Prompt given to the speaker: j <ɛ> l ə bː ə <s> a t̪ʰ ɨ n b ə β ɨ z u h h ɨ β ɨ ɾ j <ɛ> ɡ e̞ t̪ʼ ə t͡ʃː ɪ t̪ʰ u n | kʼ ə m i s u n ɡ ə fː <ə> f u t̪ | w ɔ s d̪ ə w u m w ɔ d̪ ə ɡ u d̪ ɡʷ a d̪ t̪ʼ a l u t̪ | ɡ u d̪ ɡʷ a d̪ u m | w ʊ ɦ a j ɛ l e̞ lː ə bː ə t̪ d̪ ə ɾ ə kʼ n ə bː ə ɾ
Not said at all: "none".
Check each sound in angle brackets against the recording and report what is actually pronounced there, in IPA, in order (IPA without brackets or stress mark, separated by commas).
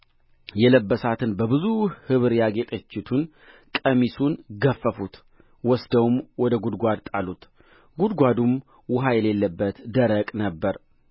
ɛ, s, a, ə